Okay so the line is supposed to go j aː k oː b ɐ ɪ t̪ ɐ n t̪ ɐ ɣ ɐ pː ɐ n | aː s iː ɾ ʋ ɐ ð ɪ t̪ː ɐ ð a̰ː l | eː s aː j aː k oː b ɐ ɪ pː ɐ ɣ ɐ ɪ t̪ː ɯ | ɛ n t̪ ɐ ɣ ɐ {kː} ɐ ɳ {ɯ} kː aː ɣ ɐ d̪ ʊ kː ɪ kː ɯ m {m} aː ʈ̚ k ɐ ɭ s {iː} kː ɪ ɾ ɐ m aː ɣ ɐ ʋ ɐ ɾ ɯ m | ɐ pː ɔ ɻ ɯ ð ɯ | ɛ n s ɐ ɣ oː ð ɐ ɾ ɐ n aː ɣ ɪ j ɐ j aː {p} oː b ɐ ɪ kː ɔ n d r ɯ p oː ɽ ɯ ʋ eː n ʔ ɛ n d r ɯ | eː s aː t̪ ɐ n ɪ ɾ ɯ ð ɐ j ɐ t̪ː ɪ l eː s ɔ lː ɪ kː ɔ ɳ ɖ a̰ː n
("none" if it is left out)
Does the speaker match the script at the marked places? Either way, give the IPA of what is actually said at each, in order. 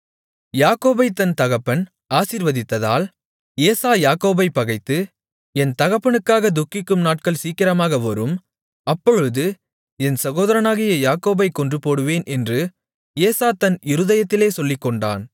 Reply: pː, ɯ, n, iː, k

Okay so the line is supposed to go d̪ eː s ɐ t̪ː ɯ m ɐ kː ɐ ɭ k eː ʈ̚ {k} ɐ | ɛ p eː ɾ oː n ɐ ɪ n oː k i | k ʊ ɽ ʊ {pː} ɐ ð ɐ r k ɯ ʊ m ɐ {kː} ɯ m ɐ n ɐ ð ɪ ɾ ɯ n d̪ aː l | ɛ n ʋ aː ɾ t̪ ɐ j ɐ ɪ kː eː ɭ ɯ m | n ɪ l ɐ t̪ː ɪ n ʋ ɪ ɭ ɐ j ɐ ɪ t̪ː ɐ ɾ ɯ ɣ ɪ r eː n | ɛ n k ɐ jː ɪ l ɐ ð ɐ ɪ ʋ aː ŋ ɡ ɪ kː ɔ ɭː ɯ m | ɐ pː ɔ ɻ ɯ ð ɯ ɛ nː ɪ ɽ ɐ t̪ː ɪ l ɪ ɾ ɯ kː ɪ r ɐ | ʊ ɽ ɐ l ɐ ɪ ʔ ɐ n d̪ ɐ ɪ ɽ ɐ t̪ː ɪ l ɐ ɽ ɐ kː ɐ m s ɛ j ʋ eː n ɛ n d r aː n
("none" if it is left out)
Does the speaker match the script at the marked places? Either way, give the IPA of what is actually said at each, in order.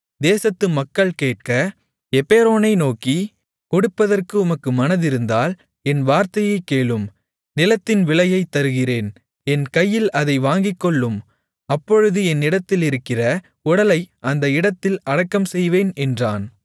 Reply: k, pː, kː

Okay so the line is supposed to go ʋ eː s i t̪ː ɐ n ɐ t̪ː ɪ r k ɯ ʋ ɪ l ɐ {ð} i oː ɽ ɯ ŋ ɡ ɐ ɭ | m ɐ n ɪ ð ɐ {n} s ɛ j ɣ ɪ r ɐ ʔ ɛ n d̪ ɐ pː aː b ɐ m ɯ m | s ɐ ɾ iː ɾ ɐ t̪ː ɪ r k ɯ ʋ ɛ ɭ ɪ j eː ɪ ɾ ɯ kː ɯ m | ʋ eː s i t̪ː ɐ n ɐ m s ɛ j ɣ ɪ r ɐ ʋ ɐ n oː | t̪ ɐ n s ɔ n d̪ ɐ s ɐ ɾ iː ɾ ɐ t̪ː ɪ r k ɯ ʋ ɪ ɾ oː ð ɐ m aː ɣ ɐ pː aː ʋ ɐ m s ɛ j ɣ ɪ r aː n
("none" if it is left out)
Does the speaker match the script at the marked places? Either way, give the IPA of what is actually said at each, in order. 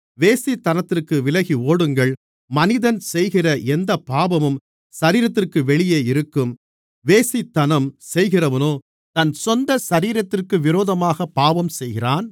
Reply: ɣ, n

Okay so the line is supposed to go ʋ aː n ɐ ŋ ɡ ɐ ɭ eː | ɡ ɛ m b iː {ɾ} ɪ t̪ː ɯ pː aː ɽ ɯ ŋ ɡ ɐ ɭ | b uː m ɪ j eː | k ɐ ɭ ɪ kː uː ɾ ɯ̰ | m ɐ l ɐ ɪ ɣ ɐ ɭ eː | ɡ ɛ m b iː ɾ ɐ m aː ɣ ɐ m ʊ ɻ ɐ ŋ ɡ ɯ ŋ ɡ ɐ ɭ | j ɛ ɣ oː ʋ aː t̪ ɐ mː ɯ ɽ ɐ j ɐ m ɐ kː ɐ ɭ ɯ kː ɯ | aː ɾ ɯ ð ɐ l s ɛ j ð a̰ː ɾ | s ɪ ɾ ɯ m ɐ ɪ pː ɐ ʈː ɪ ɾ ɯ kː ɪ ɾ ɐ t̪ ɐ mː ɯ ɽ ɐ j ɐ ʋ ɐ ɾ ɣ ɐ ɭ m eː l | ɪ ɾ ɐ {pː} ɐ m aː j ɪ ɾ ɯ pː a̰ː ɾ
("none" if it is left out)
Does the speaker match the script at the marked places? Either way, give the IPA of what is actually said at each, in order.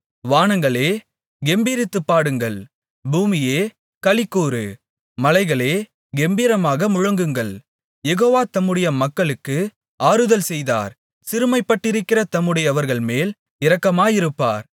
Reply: ɾ, kː

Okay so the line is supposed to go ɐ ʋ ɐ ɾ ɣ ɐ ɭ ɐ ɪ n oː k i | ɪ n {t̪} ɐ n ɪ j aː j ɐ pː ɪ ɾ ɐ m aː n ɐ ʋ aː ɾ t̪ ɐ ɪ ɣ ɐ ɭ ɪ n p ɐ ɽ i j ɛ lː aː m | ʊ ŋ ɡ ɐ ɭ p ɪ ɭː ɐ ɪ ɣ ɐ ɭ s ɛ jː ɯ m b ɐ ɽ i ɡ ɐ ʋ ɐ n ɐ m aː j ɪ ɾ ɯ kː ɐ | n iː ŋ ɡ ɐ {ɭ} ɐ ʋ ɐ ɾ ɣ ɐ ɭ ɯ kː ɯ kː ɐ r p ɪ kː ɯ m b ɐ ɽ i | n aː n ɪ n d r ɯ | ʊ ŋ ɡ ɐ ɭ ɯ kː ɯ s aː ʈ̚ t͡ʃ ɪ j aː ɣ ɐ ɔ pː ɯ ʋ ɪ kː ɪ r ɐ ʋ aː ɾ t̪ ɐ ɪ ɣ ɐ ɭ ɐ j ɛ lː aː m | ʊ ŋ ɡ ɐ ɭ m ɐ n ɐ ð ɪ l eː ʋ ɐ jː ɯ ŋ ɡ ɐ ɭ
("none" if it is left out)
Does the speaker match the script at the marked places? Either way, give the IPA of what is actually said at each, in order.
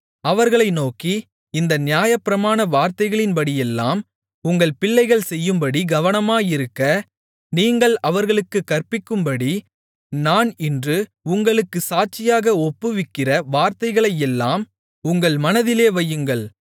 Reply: d̪, ɭ

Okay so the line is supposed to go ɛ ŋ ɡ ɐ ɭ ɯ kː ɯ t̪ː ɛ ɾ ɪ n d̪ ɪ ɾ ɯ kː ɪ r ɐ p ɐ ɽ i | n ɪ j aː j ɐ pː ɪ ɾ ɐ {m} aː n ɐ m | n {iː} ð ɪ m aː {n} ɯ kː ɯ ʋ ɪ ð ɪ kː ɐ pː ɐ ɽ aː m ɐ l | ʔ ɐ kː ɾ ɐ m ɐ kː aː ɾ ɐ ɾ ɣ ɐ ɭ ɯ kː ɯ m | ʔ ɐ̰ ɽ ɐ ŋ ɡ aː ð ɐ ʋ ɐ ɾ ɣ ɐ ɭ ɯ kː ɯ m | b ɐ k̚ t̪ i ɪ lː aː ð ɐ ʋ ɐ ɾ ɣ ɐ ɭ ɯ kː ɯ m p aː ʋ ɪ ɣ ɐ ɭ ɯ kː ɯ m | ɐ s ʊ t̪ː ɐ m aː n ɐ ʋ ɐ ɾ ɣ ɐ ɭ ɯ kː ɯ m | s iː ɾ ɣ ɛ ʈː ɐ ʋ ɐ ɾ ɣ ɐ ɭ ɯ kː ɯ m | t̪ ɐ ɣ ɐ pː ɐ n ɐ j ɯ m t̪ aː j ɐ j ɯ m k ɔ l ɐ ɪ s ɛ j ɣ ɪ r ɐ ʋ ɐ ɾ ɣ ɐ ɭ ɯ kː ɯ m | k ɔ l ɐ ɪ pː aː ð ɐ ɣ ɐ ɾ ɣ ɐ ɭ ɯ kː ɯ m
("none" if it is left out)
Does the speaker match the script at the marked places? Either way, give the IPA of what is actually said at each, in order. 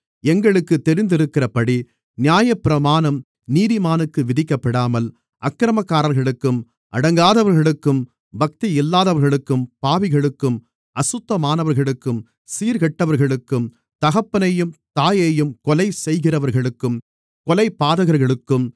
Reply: m, iː, n

